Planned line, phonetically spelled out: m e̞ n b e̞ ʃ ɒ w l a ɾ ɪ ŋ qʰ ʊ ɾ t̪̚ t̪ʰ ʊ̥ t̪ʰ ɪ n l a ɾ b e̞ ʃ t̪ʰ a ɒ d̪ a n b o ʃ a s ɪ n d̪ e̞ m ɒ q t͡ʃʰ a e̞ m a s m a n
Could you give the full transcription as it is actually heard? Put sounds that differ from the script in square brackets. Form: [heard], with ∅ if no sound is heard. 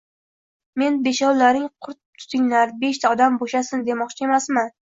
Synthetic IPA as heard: m e̞ n b e̞ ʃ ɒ w l a ɾ ɪ ŋ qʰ ʊ ɾ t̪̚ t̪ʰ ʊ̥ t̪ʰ ɪ [ŋ] l a ɾ b e̞ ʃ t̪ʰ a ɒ d̪ a [m] b o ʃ a s ɪ n d̪ e̞ m ɒ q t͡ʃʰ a e̞ m a s m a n